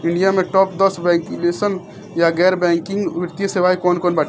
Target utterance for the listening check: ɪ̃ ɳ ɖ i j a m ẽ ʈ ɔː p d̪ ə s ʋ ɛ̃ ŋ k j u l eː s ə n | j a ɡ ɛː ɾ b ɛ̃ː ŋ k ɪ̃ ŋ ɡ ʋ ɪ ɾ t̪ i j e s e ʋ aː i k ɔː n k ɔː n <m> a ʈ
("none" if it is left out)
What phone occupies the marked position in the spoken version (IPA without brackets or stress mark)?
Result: b